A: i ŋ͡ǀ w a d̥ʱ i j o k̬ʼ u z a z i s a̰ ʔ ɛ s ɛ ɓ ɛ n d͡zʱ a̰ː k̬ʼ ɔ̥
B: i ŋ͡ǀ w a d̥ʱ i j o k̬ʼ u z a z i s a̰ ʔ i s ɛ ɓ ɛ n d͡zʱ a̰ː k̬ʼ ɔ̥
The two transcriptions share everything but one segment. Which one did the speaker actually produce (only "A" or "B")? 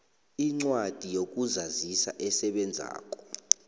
A